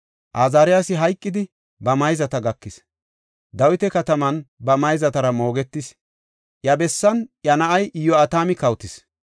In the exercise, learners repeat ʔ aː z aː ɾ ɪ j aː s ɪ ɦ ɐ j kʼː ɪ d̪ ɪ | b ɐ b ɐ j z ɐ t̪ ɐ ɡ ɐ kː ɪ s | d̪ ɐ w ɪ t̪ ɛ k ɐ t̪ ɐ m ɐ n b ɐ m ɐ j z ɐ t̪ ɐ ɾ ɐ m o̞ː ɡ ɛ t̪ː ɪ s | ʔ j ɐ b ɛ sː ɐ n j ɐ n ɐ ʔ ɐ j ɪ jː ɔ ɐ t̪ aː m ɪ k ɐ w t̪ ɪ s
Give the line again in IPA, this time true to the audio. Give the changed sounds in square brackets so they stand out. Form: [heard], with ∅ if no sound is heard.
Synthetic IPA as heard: ʔ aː z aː ɾ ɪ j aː s ɪ ɦ ɐ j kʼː ɪ d̪ ɪ | b ɐ [m] ɐ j z ɐ t̪ ɐ ɡ ɐ kː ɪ s | d̪ ɐ w ɪ t̪ ɛ k ɐ t̪ ɐ m ɐ n b ɐ m ɐ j z ɐ t̪ ɐ ɾ ɐ m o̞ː ɡ ɛ t̪ː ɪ s | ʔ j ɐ b ɛ sː ɐ n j ɐ n ɐ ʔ ɐ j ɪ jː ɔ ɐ t̪ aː m ɪ k ɐ w t̪ ɪ s